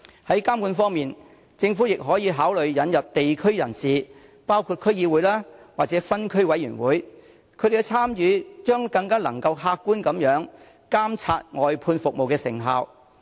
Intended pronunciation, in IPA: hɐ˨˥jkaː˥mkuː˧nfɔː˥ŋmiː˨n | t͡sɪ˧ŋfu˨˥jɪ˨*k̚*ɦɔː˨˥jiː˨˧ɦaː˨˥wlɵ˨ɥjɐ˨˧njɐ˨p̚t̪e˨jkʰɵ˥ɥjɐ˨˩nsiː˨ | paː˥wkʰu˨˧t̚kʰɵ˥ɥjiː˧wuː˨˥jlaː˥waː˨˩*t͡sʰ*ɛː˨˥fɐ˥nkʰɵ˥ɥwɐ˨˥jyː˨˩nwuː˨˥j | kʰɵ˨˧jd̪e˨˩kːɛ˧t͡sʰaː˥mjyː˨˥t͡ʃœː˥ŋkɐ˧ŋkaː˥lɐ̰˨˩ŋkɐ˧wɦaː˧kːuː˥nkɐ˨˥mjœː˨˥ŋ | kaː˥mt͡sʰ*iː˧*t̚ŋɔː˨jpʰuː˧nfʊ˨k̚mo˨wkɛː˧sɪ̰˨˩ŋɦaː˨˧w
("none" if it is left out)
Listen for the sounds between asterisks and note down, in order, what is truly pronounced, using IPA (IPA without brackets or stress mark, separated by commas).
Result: k̚, t͡s, aː˧